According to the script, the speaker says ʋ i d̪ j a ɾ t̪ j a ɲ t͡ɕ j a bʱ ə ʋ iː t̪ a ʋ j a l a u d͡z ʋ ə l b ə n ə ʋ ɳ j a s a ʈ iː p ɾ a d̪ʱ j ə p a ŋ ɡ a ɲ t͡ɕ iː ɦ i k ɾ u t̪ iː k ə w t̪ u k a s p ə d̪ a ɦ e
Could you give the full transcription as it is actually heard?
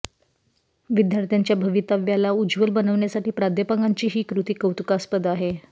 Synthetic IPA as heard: ʋ i d̪ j a ɾ t̪ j a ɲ t͡ɕ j a bʱ ə ʋ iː t̪ a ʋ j a l a u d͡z ʋ ə l b ə n ə ʋ ɳ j a s a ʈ iː p ɾ a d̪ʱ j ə p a ŋ ɡ a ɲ t͡ɕ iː ɦ iː k ɾ u t̪ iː k ə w t̪ u k a s p ə d̪ a ɦ e